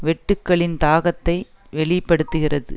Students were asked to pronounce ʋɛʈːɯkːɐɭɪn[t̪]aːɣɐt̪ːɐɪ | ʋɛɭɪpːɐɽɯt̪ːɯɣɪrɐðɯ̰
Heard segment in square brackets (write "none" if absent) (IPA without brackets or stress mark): t̪